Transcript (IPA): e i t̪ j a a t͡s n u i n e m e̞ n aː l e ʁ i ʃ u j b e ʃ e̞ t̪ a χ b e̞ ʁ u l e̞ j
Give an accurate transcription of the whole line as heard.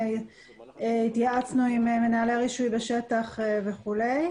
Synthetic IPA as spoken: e i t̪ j a a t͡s n u i m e m e̞ n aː l e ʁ i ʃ u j b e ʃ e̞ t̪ a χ v e̞ χ u l e̞ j